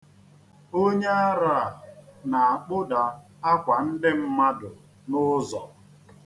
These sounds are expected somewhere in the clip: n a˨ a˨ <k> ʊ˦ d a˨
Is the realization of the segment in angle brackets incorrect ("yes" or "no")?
yes